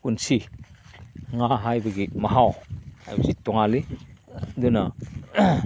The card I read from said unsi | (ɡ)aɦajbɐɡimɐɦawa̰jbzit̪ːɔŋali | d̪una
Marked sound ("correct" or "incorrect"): incorrect